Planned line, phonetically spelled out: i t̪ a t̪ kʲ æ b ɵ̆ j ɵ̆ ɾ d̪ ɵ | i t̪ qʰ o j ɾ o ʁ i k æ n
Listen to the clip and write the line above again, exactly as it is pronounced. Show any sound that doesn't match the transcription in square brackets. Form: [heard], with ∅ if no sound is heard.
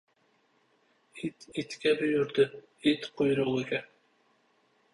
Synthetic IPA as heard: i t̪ [i] t̪ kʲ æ b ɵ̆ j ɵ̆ ɾ d̪ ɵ | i t̪ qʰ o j ɾ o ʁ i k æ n